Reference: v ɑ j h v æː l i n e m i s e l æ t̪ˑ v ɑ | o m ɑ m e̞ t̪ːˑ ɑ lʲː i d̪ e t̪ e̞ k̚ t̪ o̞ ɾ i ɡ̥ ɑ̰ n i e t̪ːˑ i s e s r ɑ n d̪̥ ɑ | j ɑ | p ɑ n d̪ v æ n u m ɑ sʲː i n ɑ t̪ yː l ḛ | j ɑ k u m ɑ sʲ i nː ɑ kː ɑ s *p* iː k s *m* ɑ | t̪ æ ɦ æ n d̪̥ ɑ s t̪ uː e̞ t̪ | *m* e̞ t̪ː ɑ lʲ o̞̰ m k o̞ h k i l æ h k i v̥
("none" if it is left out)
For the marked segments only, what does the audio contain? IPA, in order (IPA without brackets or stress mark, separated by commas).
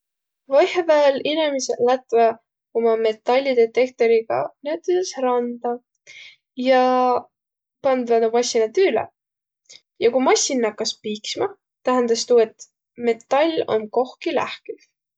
p, m, m